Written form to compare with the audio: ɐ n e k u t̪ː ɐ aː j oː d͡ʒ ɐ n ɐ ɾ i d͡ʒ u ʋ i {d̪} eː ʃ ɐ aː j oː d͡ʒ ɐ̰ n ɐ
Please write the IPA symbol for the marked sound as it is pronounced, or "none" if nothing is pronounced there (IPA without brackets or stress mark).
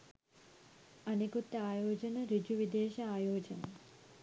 d̪